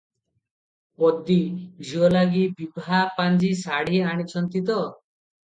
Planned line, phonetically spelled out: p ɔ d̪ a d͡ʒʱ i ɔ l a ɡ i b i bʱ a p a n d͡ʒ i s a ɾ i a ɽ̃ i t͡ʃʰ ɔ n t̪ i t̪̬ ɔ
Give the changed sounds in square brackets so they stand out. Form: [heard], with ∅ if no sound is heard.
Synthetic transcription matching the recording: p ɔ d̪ [i] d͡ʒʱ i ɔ l a ɡ i b i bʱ a p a n d͡ʒ i s a [ɽ] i a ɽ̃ i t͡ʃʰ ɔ n t̪ i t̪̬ ɔ